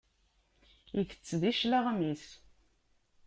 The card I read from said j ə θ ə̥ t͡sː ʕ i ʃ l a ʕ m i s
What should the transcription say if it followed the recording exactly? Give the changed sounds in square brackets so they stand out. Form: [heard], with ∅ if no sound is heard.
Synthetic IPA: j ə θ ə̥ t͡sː [ð] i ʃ l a [ʁ] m i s